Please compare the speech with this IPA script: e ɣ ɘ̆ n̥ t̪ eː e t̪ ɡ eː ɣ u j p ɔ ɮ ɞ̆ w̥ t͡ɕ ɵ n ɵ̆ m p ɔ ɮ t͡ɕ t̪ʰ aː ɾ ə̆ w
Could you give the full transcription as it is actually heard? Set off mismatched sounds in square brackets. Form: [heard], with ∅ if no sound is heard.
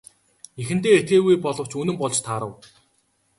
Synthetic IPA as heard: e [x] ɘ̆ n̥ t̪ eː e t̪ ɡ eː ɣ u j p ɔ ɮ ɞ̆ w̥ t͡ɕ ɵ n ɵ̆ m p ɔ ɮ t͡ɕ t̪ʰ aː ɾ ə̆ w